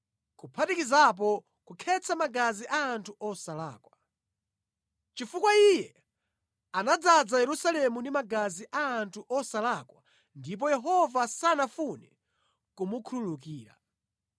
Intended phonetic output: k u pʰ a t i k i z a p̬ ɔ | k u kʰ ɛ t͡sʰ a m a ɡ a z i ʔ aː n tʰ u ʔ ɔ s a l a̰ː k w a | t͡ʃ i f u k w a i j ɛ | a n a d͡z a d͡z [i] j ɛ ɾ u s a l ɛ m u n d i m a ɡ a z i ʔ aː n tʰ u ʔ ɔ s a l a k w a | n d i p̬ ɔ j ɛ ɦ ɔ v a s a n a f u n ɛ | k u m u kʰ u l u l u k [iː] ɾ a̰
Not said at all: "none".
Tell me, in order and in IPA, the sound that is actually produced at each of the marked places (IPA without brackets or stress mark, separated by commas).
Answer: a, iː